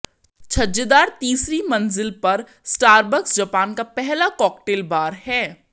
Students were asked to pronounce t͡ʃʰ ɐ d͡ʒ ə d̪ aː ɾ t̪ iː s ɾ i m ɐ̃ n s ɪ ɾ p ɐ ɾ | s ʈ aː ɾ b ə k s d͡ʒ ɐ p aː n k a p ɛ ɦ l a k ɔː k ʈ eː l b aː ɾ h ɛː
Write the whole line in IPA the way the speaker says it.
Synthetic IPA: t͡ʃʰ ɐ d͡ʒ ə d̪ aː ɾ t̪ iː s ɾ i m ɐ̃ n z ɪ l p ɐ ɾ | s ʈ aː ɾ b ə k s d͡ʒ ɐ p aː n k a p ɛ ɦ l a k ɔː k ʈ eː l b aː ɾ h ɛː